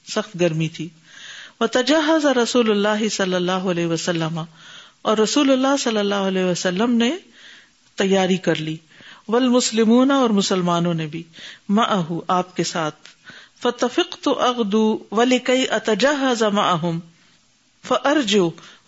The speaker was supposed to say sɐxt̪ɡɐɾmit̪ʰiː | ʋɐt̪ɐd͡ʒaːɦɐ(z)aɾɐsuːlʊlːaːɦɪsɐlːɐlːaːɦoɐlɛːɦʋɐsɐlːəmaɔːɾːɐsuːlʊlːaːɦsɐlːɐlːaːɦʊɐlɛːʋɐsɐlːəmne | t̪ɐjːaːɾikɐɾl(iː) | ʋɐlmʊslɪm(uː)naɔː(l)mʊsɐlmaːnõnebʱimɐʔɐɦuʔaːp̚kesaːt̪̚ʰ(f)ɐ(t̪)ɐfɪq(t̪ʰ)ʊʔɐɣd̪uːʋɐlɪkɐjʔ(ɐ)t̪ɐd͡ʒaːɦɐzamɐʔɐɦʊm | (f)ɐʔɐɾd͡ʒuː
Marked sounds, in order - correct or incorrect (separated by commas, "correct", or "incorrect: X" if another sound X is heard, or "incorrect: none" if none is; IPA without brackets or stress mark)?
correct, correct, correct, incorrect: ɾ, correct, correct, incorrect: t̪, correct, correct